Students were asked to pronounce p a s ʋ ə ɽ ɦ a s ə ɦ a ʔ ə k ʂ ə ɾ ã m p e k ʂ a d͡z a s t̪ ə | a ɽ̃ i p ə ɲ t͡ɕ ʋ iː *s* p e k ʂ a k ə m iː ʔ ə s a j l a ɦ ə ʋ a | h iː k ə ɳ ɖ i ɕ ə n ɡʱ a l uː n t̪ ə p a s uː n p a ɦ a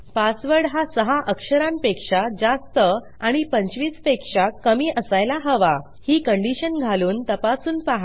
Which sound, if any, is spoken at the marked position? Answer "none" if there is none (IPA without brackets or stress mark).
t͡s